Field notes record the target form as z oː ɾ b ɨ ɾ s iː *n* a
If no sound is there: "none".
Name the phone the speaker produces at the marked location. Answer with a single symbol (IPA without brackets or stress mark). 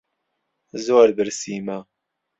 m